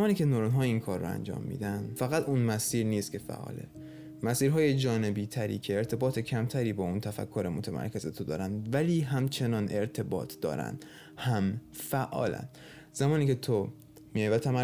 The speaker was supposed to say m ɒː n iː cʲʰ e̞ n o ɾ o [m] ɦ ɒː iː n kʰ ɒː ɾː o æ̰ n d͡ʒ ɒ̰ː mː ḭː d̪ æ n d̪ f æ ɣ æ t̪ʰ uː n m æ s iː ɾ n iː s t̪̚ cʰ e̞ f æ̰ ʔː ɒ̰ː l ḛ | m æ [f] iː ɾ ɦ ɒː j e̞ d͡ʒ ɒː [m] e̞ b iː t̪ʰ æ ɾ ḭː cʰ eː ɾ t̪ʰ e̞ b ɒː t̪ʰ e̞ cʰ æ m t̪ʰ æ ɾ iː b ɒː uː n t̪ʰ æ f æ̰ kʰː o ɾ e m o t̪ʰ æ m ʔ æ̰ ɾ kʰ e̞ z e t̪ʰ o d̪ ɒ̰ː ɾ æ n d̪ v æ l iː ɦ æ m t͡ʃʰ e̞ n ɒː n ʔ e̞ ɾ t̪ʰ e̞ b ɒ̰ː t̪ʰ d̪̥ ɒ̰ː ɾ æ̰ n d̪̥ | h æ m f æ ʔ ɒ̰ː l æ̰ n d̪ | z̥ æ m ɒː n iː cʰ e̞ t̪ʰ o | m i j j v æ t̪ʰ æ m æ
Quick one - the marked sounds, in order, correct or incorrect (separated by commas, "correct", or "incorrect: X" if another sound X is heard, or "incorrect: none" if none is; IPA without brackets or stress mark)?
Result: incorrect: n, incorrect: s, incorrect: n